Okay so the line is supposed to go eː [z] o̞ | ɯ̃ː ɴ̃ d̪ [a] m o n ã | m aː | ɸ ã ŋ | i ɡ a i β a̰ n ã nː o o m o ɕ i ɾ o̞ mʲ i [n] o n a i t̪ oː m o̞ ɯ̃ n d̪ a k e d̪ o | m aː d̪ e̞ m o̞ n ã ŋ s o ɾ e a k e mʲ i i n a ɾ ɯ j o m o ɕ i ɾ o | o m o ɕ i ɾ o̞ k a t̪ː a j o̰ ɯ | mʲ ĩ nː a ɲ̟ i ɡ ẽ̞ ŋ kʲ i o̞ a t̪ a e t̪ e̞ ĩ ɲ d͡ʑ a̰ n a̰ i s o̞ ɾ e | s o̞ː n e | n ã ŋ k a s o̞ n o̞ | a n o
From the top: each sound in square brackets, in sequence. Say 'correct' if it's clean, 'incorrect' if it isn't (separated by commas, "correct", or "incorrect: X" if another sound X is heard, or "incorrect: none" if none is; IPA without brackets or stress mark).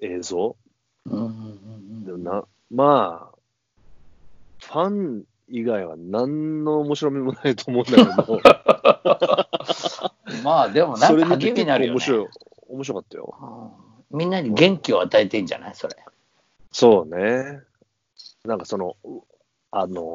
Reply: correct, incorrect: e, incorrect: m